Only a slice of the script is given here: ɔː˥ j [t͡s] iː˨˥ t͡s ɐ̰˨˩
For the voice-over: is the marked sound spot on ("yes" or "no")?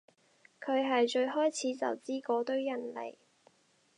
no